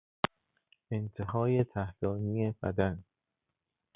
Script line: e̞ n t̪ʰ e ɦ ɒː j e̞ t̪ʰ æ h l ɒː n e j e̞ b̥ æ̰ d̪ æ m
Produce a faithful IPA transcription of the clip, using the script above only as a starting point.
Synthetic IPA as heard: e̞ n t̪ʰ e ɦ ɒː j e̞ t̪ʰ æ h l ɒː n i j e̞ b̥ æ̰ d̪ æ n